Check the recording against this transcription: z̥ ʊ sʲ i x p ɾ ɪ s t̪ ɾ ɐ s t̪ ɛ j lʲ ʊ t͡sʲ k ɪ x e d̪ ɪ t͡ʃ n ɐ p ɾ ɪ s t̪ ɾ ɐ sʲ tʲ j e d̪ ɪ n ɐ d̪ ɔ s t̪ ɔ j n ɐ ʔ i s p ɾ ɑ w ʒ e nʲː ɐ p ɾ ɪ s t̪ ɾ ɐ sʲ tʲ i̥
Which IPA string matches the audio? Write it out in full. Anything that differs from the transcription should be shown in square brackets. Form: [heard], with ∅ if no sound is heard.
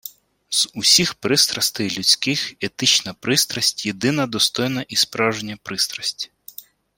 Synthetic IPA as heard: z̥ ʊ sʲ i x p ɾ ɪ s t̪ ɾ ɐ s t̪ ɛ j lʲ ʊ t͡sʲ k ɪ x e [t̪] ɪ t͡ʃ n ɐ p ɾ ɪ s t̪ ɾ ɐ sʲ tʲ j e d̪ ɪ n ɐ d̪ ɔ s t̪ ɔ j n ɐ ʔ i s p ɾ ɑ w ʒ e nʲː ɐ p ɾ ɪ s t̪ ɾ ɐ sʲ tʲ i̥